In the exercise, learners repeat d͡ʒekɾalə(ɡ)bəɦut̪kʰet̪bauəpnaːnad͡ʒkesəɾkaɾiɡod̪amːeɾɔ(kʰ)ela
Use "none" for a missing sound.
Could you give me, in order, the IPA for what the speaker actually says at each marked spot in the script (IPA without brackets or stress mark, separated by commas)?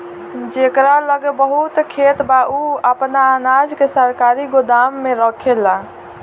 ɡ, kʰ